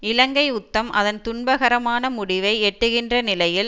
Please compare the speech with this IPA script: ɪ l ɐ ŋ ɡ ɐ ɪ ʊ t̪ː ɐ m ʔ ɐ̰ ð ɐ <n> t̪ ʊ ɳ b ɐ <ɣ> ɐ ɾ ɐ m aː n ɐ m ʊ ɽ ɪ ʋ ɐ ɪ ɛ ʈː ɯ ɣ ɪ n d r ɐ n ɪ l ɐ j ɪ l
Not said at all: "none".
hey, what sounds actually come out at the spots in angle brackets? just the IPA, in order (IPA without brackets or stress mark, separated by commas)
n, ɣ